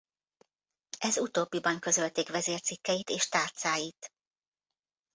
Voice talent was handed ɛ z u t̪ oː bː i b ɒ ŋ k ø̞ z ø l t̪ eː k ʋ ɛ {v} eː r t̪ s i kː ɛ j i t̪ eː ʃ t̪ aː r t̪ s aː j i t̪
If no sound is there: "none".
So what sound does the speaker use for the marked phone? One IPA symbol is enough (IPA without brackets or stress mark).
z